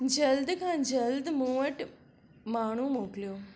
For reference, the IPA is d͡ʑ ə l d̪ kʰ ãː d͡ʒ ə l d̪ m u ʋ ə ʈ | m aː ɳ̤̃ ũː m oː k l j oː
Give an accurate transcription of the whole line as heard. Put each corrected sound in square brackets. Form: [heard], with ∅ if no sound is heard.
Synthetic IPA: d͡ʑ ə l d̪ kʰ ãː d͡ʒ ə l d̪ m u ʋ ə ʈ | m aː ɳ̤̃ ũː m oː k l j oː